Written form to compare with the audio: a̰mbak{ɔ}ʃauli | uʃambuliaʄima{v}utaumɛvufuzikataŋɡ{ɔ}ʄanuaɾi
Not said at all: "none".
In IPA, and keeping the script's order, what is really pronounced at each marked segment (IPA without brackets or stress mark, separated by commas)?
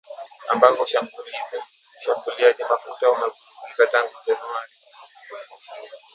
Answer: ɔ, f, u